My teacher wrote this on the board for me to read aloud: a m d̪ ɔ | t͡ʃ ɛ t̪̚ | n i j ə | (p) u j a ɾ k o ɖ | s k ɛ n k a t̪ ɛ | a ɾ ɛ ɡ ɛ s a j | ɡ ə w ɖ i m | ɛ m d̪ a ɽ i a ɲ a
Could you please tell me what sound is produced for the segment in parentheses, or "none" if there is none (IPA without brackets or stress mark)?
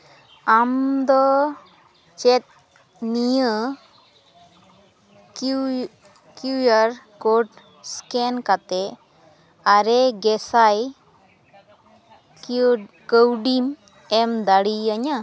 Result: k